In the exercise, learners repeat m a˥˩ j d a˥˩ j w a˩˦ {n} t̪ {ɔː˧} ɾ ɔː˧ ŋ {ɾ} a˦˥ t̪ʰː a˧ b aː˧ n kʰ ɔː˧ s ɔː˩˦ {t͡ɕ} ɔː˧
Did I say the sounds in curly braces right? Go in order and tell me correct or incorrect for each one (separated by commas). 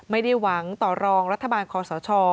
incorrect, incorrect, correct, incorrect